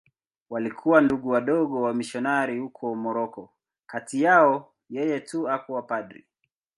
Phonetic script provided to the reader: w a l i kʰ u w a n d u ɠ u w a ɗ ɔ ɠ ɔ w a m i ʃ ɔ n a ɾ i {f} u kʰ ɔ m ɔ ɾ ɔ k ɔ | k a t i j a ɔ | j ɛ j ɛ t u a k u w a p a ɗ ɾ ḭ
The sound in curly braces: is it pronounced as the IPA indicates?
no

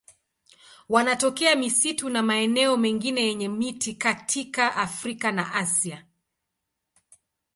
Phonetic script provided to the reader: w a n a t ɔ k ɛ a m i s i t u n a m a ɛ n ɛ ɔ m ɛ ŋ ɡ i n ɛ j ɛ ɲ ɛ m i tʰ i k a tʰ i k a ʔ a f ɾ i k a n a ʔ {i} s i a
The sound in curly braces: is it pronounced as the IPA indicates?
no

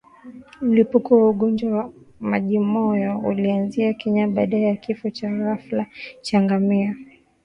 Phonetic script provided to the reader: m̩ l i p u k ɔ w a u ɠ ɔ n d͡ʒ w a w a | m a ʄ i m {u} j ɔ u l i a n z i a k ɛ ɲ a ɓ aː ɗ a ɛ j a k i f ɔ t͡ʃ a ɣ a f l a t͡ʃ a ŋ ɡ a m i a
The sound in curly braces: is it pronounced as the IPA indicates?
no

